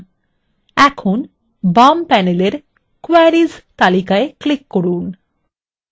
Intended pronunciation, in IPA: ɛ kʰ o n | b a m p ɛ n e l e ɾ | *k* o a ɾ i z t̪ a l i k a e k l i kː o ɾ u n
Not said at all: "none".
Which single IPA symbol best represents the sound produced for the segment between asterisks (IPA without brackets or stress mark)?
k